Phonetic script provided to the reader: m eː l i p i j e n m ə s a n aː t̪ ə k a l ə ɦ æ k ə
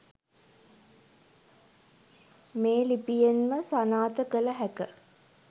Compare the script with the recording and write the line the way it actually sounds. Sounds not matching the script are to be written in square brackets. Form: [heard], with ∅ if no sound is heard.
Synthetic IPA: m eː l i p i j e n m ə s a n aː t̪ ə k [ə] l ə ɦ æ k ə